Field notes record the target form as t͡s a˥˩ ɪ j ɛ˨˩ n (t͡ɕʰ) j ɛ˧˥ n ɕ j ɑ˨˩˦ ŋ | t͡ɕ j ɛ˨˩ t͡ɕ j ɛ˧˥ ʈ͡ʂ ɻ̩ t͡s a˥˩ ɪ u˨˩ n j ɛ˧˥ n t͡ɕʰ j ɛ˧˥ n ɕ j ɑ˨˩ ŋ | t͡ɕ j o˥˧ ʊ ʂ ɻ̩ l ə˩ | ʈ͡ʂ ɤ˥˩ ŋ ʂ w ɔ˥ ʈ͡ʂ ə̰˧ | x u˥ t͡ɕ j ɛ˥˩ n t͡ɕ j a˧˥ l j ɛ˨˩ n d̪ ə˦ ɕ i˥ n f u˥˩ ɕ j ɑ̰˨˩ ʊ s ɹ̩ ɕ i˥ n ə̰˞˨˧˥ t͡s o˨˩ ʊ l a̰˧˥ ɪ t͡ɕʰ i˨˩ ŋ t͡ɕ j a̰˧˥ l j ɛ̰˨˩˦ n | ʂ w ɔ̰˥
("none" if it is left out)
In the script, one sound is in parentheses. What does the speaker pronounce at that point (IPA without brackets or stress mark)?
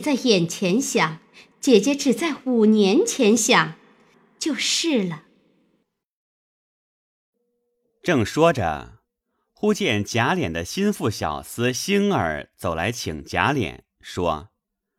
t͡ɕʰ